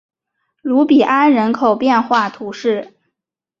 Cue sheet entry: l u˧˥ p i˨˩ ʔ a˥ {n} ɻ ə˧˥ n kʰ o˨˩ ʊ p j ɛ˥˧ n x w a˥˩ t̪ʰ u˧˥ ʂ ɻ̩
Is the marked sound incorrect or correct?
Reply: correct